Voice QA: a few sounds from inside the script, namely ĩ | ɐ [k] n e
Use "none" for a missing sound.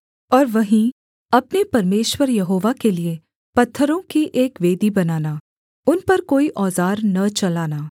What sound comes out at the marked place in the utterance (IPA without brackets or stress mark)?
p